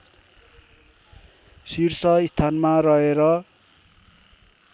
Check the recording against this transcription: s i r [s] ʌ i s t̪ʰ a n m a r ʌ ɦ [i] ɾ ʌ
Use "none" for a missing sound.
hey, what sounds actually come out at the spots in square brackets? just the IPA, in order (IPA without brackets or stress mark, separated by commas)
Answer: s, e